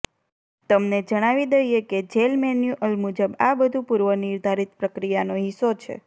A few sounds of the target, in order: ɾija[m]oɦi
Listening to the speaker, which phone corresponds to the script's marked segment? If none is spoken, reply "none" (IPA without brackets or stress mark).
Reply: n